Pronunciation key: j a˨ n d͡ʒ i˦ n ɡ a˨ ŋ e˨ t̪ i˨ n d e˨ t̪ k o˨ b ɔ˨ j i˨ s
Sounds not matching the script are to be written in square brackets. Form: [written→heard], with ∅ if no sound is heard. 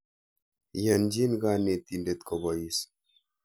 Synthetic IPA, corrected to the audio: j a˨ n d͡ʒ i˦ n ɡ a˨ [ŋ→n] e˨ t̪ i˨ n d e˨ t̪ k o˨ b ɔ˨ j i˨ s